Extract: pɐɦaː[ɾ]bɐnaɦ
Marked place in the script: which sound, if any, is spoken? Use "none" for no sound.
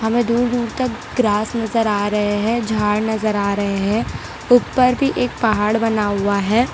ɽ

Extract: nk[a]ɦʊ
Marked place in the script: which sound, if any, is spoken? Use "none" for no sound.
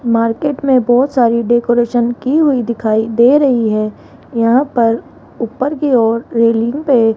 i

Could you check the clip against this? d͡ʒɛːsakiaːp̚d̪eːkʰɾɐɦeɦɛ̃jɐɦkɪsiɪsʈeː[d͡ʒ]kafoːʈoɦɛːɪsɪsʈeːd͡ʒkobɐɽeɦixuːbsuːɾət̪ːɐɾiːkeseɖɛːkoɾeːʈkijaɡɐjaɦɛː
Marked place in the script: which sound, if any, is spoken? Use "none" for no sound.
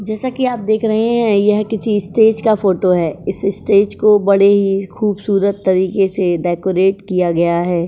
d͡ʒ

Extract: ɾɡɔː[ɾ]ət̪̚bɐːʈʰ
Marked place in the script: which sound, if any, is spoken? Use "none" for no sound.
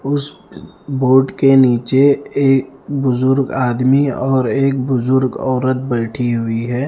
ɾ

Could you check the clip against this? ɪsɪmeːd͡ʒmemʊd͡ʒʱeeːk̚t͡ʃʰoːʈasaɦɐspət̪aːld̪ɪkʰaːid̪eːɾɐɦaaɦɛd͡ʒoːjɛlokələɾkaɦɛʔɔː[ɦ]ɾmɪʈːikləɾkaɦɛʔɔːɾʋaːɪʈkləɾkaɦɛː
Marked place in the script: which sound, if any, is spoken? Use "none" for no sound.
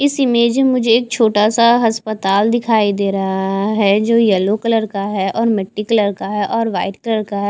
none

